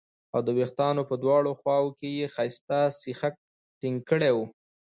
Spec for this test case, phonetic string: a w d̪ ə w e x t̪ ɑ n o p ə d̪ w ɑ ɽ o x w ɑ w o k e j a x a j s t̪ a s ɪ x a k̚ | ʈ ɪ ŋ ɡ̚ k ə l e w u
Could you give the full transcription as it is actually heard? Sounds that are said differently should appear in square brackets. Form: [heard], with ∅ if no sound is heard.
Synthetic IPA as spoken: a w d̪ ə w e x t̪ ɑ n o p ə d̪ w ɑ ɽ o x w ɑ w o k e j [e] x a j s t̪ a s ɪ x a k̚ | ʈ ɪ ŋ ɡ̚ k ə [ɽ] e w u

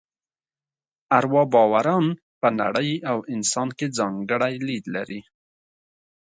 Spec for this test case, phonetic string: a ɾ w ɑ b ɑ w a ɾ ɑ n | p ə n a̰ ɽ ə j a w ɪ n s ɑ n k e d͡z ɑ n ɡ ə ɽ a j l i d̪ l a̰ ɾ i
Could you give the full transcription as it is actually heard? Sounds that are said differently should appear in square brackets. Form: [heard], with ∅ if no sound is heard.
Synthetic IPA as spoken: a ɾ w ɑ b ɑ w a ɾ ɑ n | p ə n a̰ ɽ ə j a w ɪ n s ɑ n k e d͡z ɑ [ŋ] ɡ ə ɽ a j l i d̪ l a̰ ɾ i

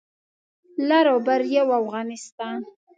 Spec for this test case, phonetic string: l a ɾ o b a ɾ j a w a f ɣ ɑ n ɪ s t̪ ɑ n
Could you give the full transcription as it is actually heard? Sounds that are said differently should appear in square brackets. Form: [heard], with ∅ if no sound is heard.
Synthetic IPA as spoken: l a ɾ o b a ɾ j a w a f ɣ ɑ n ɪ s t̪ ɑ n

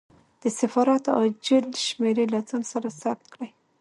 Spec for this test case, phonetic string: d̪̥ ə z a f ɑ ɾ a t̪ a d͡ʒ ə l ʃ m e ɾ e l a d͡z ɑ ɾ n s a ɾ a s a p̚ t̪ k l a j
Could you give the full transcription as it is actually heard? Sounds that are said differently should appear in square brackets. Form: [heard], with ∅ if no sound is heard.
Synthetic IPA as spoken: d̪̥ ə [s] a f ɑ ɾ a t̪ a d͡ʒ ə l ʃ m e ɾ e l a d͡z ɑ [∅] n s a ɾ a s a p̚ t̪ k [ɽ] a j

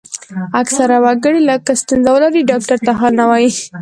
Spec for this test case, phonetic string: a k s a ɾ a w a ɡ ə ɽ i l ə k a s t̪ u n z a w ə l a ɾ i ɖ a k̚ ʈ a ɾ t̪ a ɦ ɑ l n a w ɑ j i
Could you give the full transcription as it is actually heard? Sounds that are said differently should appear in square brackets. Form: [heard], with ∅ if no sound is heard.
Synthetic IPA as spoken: a k s a ɾ a w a ɡ ə ɽ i l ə k a s t̪ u n z a w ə l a ɾ i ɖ [ɑ] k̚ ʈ a ɾ t̪ a ɦ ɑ l n a w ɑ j i

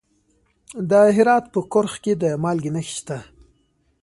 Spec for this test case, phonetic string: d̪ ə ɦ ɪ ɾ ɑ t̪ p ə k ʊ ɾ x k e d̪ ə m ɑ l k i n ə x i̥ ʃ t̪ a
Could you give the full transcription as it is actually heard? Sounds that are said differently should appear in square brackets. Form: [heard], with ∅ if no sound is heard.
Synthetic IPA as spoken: d̪ ə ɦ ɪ ɾ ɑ t̪ p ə k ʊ ɾ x k e d̪ ə m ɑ l [ɡ] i n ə x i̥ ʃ t̪ a

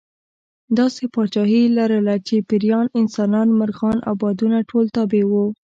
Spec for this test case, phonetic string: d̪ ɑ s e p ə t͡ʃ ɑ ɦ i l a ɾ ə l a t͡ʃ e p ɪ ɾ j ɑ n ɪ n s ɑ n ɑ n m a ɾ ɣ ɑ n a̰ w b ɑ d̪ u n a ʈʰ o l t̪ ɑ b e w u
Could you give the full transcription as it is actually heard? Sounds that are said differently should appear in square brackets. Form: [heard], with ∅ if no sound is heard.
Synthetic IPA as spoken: d̪ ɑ s e p [ɑ] t͡ʃ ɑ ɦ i l a ɾ ə l a t͡ʃ e p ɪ ɾ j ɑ n ɪ n s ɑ n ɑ n m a ɾ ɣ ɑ n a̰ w b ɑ d̪ u n a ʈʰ o l t̪ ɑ b e w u

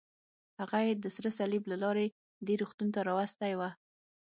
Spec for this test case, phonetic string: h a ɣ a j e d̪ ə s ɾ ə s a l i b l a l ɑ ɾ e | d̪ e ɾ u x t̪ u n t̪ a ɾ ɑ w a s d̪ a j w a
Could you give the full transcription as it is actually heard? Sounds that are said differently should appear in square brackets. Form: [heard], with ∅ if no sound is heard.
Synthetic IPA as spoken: h a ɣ a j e d̪ ə s ɾ ə s a l i b l a l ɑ ɾ e | d̪ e ɾ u x t̪ u n t̪ a ɾ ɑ w a s [t̪] a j w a

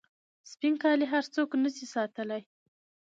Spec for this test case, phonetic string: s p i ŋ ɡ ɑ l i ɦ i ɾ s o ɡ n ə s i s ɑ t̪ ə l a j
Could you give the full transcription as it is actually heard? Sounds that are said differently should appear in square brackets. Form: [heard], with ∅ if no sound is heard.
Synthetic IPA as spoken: s p i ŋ [k] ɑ l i ɦ [a] ɾ [t͡s] o [k] n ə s i s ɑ t̪ ə l a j

